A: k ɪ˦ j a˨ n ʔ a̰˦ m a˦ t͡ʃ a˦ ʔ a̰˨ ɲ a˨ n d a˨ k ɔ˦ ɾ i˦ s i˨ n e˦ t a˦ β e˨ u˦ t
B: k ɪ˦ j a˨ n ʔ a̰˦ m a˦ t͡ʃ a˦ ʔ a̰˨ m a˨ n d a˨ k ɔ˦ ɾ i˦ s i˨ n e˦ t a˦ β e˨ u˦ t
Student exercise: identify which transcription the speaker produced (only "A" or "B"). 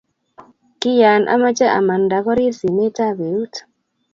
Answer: B